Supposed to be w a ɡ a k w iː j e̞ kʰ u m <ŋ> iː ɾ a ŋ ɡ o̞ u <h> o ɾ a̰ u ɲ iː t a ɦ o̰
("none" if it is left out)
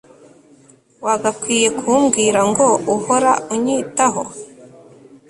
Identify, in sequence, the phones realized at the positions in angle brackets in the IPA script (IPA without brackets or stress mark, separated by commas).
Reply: ɡ, h